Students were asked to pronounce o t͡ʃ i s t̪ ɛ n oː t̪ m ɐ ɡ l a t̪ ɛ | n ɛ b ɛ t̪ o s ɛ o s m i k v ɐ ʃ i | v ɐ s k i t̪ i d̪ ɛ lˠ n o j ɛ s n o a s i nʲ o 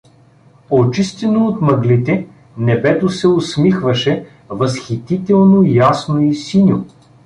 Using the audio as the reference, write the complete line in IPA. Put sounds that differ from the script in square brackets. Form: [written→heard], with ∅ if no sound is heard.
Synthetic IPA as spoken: o t͡ʃ i s t̪ ɛ n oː t̪ m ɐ ɡ l [a→i] t̪ ɛ | n ɛ b ɛ t̪ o s ɛ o s m i [k→x] v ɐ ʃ [i→ɛ] | v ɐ s [k→x] i t̪ i [d̪→t̪] ɛ lˠ n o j [ɛ→a] s n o [a→i] s i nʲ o